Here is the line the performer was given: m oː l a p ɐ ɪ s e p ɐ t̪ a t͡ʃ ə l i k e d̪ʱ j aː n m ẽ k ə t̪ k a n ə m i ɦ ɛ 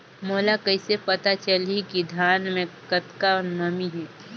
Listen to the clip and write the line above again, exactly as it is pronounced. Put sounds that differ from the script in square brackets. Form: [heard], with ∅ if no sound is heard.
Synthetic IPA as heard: m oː l a [k] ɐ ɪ s e p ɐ t̪ a t͡ʃ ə l i k [i] d̪ʱ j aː n m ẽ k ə t̪ k a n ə m i ɦ ɛ